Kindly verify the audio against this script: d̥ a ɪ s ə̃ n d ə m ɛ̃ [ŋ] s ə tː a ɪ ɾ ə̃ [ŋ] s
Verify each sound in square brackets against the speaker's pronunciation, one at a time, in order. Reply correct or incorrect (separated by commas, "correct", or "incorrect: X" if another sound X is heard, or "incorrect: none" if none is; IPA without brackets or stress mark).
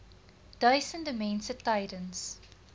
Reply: incorrect: n, incorrect: n